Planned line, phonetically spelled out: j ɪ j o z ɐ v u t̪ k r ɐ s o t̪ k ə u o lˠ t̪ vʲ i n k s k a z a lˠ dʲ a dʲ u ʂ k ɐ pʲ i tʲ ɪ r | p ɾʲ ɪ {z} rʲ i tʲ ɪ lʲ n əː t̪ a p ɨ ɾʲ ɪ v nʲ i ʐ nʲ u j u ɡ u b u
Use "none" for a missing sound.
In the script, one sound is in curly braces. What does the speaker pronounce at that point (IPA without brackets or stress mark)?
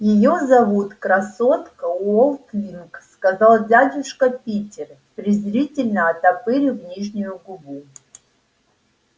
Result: z